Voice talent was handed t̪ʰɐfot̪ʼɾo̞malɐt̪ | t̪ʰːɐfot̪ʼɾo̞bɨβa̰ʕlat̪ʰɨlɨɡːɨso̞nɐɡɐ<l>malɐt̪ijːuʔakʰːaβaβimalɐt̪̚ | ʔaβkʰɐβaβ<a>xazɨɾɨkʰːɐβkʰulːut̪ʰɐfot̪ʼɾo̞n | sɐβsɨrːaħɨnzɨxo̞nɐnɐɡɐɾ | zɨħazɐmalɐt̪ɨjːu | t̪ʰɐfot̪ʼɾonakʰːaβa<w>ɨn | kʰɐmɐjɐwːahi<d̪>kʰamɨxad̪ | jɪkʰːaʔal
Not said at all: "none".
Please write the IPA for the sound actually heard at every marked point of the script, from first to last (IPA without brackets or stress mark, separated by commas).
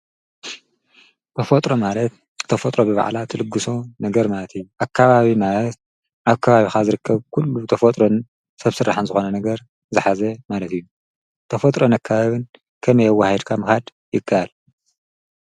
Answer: ɾ, i, β, d̪